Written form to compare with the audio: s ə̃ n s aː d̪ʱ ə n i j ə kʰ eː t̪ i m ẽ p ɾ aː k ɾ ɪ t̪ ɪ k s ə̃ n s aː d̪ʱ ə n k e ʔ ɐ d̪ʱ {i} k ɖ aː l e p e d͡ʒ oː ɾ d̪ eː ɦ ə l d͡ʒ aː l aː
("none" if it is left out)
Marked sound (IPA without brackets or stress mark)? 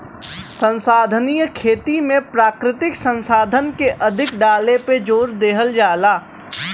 ɪ